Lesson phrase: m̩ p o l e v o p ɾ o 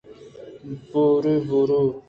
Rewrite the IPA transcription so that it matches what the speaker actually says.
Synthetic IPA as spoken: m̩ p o ɾ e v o ɾ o